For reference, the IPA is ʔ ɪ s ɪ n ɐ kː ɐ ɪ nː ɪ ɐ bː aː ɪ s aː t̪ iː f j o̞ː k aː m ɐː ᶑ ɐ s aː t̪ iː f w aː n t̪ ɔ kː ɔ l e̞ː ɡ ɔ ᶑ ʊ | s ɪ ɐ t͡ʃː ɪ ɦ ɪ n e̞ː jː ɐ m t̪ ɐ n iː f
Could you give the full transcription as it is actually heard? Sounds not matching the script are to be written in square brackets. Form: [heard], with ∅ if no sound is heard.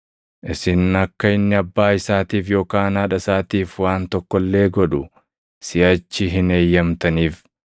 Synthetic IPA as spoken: ʔ ɪ s ɪ n ɐ kː ɐ ɪ nː ɪ ɐ bː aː ɪ s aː t̪ iː f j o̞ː k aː [n] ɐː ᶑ ɐ s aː t̪ iː f w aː n t̪ ɔ kː ɔ [lː] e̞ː ɡ ɔ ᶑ ʊ | s ɪ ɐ t͡ʃː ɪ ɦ ɪ n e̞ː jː ɐ m t̪ ɐ n iː f